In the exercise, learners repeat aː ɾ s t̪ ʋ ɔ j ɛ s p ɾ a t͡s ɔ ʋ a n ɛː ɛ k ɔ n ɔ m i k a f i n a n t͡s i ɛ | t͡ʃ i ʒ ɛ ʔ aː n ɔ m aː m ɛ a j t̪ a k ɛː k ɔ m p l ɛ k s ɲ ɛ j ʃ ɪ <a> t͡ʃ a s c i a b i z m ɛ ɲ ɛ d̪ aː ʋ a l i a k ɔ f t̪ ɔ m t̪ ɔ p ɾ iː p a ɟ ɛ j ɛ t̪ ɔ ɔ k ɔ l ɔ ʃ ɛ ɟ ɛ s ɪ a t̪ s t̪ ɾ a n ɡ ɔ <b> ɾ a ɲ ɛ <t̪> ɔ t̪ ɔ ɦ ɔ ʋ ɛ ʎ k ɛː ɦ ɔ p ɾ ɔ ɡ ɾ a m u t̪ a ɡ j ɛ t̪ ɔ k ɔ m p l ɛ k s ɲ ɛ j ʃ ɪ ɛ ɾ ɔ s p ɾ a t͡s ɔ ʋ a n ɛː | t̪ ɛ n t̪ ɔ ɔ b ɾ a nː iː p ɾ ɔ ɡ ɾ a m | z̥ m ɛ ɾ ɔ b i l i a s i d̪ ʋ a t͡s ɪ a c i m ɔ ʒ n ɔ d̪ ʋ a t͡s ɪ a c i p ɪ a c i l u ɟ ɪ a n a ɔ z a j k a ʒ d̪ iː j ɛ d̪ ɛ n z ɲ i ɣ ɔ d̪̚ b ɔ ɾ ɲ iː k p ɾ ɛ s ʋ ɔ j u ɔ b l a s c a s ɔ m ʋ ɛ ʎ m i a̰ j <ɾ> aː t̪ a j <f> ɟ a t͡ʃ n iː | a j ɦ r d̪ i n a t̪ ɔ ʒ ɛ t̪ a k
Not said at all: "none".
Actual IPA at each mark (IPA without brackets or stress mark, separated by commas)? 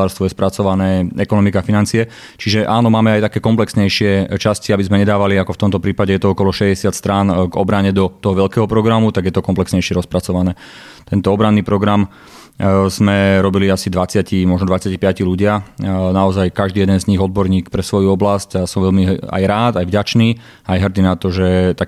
ɛ, b, d̪, ɾ, v